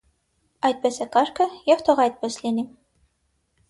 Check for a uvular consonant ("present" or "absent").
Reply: present